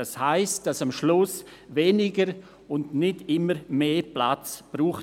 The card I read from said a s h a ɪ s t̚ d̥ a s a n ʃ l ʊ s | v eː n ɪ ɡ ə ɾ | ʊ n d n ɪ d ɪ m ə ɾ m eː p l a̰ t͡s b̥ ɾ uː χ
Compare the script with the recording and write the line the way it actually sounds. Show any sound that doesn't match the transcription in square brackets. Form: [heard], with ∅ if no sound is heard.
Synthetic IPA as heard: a s h a ɪ s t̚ d̥ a s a [m] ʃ l ʊ s | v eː n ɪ ɡ ə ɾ | ʊ n d n ɪ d ɪ m ə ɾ m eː p l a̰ t͡s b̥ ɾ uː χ